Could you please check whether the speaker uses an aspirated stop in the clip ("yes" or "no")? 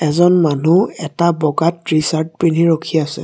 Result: yes